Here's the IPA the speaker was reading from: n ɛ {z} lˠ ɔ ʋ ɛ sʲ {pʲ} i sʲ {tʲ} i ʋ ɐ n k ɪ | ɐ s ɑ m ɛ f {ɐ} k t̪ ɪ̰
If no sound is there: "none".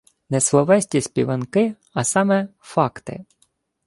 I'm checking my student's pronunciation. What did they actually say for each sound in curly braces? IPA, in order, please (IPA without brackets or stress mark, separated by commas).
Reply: s, tʲ, pʲ, ɑ